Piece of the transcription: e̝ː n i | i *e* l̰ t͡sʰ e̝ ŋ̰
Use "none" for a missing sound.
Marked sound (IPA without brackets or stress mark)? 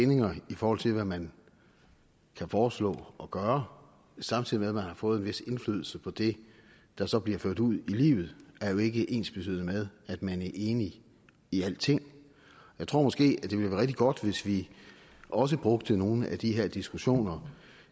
æ